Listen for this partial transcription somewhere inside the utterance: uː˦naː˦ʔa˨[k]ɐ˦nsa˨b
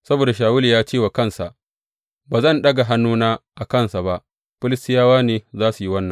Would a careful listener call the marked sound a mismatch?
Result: no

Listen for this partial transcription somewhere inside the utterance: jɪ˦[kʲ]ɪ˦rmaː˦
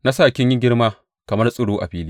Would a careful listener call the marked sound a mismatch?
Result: yes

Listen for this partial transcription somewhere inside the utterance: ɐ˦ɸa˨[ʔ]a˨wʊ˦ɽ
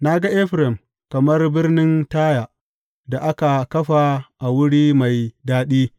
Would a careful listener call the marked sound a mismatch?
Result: no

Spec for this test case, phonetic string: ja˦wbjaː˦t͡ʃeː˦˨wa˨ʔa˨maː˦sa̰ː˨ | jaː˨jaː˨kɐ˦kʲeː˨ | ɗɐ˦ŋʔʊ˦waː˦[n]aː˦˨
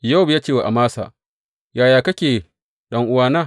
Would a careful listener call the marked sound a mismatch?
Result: no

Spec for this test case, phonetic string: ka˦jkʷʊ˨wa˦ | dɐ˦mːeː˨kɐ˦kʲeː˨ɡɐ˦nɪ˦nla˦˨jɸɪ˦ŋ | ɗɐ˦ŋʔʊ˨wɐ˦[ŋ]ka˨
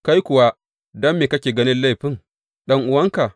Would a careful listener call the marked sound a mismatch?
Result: no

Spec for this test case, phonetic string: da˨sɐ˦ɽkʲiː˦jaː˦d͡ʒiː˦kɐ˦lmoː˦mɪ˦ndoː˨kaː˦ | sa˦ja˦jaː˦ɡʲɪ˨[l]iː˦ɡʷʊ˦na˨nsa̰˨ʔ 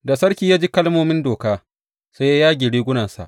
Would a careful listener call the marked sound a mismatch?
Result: yes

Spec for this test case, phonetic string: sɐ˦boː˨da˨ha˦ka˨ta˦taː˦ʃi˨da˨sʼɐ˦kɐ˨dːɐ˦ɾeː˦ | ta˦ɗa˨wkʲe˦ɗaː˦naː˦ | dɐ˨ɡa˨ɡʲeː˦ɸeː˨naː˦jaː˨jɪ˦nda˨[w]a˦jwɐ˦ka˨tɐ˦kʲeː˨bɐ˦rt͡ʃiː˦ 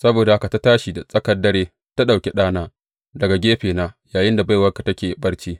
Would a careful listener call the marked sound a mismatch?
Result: yes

